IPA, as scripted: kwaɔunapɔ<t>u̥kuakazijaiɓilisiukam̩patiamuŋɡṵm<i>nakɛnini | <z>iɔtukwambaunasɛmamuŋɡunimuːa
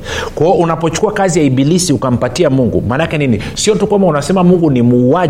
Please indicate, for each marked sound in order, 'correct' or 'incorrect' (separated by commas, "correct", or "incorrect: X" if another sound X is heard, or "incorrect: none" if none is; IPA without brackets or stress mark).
incorrect: t͡ʃ, incorrect: a, incorrect: s